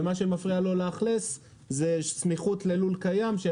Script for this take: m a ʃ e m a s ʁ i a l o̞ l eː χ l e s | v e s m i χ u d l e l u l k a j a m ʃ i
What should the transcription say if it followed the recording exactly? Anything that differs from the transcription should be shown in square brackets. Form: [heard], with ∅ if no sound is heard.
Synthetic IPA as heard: m a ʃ e m a [f] ʁ i a l o̞ l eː χ l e s | [z] e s m i χ u [t] l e l u l k a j a m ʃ [e]